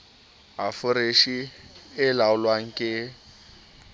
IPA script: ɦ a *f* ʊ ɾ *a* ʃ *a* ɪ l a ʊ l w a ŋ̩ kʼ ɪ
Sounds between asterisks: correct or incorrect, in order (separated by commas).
correct, incorrect, incorrect